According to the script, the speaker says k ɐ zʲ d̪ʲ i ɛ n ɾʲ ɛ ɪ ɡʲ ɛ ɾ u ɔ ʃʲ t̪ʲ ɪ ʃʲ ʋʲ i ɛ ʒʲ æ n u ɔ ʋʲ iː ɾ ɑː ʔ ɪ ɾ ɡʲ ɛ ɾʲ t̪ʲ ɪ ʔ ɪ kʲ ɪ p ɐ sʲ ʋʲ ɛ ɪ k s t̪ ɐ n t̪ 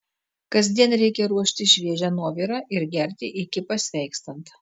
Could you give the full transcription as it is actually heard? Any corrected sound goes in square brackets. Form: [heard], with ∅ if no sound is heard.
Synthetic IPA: k ɐ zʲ d̪ʲ i ɛ n ɾʲ ɛ ɪ [kʲ] ɛ ɾ u ɔ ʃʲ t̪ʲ ɪ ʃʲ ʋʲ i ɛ ʒʲ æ n u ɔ ʋʲ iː ɾ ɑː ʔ ɪ ɾ ɡʲ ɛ ɾʲ t̪ʲ ɪ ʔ ɪ kʲ ɪ p ɐ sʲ ʋʲ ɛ ɪ k s t̪ ɐ n t̪